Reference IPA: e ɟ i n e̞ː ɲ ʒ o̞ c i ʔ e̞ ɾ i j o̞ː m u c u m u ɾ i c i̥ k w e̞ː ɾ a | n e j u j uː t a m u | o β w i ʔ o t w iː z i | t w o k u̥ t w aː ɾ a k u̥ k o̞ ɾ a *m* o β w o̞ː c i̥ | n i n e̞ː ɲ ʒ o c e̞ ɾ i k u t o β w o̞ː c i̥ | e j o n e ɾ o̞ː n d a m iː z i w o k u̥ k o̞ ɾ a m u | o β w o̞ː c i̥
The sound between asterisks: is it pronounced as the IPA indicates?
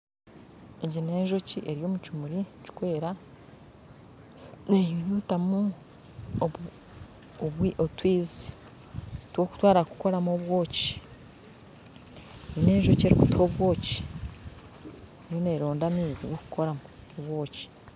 yes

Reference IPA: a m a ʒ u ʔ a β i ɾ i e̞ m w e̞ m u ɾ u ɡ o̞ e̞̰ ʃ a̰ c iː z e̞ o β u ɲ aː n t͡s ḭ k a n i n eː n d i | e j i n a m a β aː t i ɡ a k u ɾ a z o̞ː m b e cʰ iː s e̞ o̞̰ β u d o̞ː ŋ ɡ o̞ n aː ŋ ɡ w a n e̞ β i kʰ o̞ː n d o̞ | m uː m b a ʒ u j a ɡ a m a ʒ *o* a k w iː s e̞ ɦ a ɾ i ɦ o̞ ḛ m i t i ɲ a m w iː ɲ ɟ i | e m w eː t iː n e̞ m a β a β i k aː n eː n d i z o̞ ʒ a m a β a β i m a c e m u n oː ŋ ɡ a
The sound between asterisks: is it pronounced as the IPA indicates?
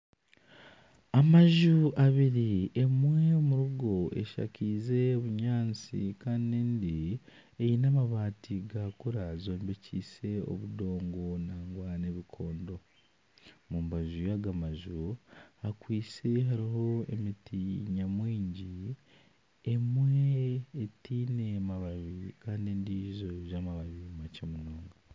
no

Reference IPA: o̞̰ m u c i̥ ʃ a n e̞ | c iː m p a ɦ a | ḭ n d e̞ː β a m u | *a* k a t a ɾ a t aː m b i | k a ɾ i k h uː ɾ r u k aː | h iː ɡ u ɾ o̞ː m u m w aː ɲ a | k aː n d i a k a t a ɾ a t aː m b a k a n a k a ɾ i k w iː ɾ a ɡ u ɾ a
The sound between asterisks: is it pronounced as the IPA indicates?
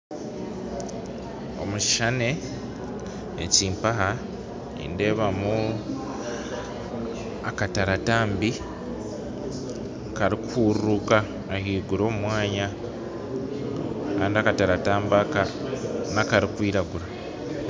yes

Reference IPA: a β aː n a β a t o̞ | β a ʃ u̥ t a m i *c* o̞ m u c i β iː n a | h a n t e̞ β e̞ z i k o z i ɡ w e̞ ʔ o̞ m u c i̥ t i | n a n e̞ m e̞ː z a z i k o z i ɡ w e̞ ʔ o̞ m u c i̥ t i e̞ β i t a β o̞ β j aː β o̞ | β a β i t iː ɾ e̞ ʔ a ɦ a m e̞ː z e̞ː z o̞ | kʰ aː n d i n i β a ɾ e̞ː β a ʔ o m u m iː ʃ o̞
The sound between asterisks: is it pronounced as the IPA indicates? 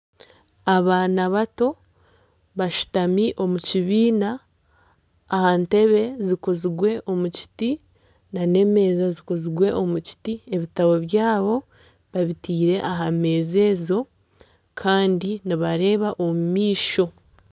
no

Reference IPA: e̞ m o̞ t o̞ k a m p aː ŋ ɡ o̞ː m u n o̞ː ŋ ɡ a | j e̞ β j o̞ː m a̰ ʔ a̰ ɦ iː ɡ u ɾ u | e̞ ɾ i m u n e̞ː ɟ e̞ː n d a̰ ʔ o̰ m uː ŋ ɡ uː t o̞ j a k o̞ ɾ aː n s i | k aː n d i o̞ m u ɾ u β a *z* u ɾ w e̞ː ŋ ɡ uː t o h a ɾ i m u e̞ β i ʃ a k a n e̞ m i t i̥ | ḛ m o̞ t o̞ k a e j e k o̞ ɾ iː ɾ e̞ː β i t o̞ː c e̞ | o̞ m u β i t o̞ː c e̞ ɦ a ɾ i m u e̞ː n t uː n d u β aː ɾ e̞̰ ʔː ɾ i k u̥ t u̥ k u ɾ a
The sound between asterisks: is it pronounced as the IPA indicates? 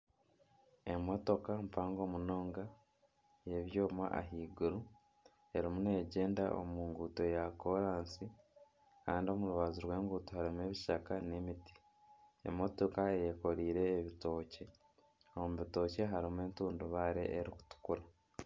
yes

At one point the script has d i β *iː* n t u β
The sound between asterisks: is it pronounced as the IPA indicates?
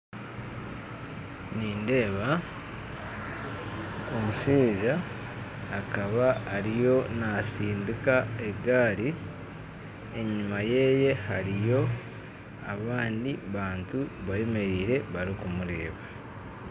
no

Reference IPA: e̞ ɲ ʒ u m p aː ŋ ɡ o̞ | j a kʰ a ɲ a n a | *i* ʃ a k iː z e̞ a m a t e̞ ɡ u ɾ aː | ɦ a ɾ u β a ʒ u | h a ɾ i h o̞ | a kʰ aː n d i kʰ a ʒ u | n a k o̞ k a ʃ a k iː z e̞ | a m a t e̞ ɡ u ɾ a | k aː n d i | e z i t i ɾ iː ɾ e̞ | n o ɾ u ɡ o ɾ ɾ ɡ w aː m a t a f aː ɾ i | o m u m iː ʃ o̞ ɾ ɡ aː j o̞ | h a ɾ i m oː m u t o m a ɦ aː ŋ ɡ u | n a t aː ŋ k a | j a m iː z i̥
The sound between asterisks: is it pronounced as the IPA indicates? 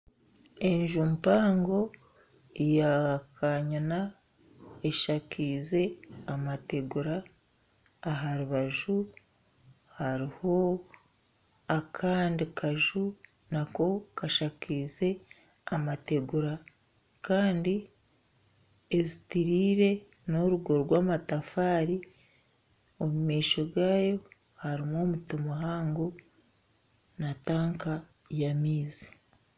no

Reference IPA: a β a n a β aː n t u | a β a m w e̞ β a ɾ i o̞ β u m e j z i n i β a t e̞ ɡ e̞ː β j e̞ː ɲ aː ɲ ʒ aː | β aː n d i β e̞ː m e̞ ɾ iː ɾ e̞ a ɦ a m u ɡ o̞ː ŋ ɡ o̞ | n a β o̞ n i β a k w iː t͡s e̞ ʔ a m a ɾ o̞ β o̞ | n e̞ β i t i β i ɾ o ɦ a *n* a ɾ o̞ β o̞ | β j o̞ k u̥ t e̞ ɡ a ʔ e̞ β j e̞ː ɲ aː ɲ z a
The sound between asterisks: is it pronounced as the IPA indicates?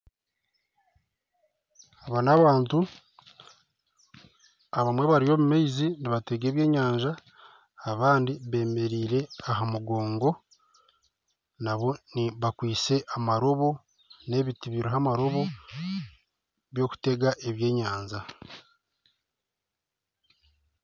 no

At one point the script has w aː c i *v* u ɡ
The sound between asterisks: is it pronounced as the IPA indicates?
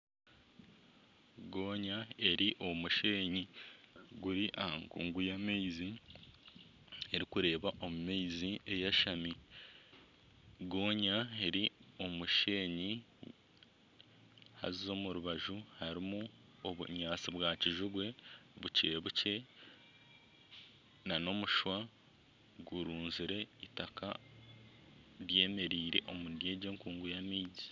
no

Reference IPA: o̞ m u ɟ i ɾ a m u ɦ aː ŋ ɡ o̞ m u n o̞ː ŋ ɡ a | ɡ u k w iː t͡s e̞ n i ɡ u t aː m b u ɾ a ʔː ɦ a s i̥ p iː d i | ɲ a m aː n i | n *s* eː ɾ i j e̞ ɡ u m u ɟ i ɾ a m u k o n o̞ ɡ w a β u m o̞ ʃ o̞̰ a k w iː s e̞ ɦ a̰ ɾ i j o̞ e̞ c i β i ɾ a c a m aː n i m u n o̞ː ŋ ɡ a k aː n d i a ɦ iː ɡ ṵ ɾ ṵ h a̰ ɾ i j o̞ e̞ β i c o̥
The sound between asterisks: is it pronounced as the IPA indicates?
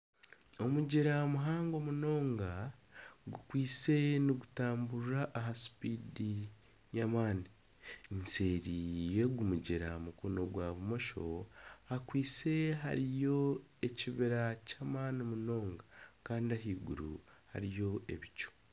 yes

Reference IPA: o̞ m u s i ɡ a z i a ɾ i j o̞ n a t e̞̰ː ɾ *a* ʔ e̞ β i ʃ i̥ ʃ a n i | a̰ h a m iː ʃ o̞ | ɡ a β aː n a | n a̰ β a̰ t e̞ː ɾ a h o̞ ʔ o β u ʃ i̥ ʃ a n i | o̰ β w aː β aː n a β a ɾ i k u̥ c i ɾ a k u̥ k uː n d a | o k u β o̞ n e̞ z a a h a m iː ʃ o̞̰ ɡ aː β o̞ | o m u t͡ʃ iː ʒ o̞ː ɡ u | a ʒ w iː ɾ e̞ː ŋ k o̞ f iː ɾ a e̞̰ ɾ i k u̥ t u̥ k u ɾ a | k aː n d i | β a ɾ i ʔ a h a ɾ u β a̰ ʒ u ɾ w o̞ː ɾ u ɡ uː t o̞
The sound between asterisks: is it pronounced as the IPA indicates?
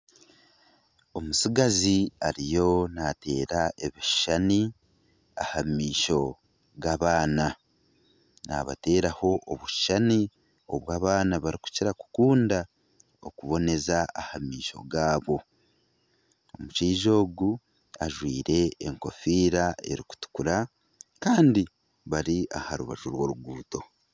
yes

